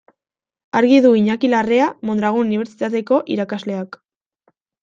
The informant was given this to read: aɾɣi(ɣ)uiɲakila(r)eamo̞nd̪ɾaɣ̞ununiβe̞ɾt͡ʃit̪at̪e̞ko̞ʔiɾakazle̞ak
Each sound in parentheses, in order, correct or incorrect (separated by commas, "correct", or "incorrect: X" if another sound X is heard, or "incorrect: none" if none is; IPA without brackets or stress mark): incorrect: ð, correct